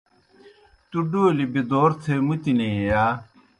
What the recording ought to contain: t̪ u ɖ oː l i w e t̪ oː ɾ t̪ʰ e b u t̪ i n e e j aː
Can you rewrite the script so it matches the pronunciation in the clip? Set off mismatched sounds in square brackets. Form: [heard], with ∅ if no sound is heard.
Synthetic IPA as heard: t̪ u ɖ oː l i [b] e [d̪] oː ɾ t̪ʰ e [m] u t̪ i n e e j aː